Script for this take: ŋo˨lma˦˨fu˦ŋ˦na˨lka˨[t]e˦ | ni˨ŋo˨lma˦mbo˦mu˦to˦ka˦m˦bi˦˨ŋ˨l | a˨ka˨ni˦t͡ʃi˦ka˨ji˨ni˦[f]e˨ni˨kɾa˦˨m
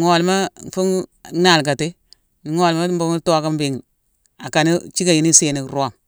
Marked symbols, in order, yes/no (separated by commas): yes, no